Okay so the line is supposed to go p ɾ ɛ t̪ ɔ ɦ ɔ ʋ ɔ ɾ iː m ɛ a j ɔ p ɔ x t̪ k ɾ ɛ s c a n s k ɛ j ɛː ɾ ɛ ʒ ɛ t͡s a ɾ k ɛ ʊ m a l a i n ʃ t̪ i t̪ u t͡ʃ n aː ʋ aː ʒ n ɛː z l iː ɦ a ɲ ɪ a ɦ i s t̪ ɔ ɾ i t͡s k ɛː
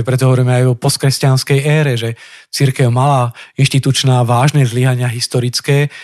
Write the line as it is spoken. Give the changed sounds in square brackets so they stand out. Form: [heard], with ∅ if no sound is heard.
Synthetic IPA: p ɾ ɛ t̪ ɔ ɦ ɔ ʋ ɔ ɾ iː m ɛ a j ɔ p ɔ [s] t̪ k ɾ ɛ s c a n s k ɛ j ɛː ɾ ɛ ʒ ɛ t͡s [i] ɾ k ɛ ʊ m a l a i n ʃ t̪ i t̪ u t͡ʃ n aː ʋ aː ʒ n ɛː z l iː ɦ a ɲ ɪ a ɦ i s t̪ ɔ ɾ i t͡s k ɛː